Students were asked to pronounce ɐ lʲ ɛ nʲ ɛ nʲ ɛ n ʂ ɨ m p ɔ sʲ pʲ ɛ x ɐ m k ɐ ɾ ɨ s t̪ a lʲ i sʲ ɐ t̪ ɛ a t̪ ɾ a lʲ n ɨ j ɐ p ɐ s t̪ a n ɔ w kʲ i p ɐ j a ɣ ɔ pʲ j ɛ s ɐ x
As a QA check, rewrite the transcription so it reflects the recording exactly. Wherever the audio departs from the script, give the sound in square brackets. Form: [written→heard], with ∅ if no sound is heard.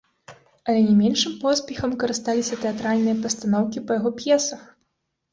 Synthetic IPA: ɐ lʲ ɛ nʲ ɛ [nʲ→mʲ] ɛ n ʂ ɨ m p ɔ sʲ pʲ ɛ x ɐ m k ɐ ɾ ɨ s t̪ a lʲ i sʲ ɐ t̪ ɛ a t̪ ɾ a lʲ n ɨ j ɐ p ɐ s t̪ a n ɔ w kʲ i p ɐ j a ɣ ɔ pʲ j ɛ s ɐ x